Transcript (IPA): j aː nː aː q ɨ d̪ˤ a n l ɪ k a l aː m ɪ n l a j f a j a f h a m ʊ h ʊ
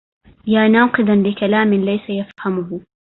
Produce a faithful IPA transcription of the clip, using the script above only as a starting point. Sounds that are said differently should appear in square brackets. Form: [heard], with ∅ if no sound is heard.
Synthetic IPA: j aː [n] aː q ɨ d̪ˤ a n l ɪ k a l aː m ɪ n l a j [s] a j a f h a m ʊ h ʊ